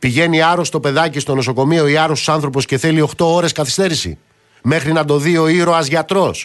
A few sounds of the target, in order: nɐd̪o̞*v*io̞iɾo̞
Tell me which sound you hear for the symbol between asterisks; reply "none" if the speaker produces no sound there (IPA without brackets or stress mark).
ð